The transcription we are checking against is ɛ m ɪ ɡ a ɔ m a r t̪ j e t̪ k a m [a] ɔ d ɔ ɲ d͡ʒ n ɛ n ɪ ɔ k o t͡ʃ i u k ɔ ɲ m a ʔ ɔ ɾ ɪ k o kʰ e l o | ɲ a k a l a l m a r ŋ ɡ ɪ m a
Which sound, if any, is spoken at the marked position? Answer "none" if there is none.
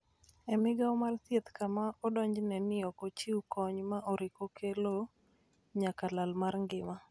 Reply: a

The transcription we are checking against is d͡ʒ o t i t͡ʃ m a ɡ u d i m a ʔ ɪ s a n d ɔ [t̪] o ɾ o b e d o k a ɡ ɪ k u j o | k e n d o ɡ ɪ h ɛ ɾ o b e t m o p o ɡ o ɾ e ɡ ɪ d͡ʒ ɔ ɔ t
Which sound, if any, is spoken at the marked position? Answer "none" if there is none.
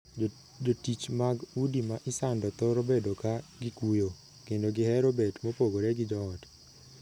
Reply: t̪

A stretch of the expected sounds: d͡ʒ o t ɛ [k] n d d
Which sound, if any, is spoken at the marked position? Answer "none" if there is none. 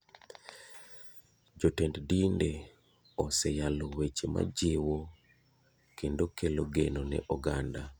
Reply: none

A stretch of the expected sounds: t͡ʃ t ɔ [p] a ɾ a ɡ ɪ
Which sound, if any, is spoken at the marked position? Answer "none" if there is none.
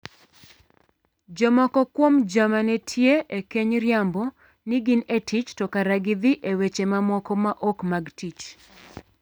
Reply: k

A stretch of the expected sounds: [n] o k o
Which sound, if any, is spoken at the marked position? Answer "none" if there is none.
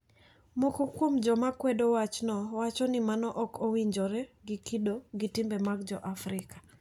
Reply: m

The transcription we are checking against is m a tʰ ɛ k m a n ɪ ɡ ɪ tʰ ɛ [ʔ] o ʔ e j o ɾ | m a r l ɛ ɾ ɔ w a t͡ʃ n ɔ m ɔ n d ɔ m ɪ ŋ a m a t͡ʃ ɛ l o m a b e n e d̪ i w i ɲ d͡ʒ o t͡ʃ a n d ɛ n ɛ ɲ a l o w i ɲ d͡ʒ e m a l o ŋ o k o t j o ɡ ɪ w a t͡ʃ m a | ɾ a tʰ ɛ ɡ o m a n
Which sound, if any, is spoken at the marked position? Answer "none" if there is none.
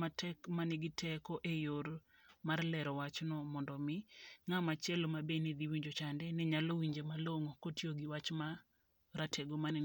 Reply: k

